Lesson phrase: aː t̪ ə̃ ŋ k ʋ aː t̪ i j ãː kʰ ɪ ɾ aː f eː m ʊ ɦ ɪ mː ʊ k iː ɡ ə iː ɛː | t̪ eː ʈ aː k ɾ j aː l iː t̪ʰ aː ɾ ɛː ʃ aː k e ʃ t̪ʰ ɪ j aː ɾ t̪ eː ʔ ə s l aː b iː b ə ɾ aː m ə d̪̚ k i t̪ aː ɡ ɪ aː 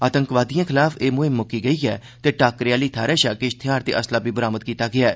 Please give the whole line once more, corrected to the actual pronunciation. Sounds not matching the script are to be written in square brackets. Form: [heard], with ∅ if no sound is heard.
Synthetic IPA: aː t̪ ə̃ ŋ k ʋ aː [d̪] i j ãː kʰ ɪ [l] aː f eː m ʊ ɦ ɪ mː ʊ k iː ɡ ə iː ɛː | t̪ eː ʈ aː k ɾ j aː l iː t̪ʰ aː ɾ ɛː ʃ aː k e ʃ t̪ʰ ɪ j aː ɾ t̪ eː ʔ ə s l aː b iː b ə ɾ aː m ə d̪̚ k [iː] t̪ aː ɡ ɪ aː